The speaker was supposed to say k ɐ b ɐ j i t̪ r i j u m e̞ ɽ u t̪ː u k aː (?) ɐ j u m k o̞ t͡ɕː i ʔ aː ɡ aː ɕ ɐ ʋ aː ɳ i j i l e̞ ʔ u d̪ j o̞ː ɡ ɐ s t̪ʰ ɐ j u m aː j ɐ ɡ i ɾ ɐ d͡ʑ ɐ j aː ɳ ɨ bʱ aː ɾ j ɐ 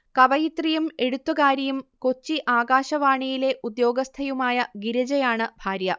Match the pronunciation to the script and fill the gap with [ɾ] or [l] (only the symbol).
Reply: ɾ